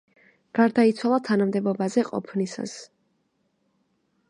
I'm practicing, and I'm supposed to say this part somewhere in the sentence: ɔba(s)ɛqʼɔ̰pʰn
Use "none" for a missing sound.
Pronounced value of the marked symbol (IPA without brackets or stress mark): z